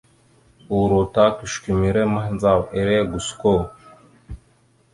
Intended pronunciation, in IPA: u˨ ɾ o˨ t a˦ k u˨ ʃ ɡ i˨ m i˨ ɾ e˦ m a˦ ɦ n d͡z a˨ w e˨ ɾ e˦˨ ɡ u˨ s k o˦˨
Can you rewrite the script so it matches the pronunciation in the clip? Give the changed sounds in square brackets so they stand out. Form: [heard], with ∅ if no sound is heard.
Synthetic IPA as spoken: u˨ ɾ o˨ t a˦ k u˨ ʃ [k] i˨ m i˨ ɾ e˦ m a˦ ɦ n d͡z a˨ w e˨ ɾ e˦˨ ɡ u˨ s k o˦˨